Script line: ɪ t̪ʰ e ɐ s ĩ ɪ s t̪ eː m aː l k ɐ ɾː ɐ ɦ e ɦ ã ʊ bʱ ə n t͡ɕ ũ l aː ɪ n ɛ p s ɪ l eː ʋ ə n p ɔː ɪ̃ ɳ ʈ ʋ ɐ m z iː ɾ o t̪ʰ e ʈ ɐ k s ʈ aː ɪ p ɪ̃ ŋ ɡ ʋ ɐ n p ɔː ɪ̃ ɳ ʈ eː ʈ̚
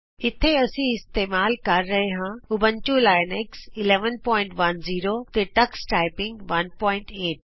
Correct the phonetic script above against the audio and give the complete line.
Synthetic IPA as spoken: ɪ t̪ʰ e ɐ s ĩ ɪ s t̪ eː m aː l k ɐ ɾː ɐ ɦ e ɦ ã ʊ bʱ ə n t͡ɕ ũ l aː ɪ n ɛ k s ɪ l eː ʋ ə n p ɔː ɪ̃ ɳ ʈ ʋ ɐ n z iː ɾ o t̪ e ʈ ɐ k s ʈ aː ɪ p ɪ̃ ŋ ɡ ʋ ɐ n p ɔː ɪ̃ ɳ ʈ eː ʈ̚